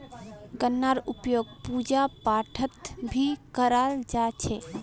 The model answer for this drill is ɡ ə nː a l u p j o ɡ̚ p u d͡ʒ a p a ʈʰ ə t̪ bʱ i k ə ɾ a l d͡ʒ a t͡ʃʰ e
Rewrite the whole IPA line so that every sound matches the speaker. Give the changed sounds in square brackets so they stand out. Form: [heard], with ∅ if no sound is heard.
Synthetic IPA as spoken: ɡ ə nː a [ɾ] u p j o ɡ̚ p u d͡ʒ a p a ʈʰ ə t̪ bʱ i k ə ɾ a l d͡ʒ a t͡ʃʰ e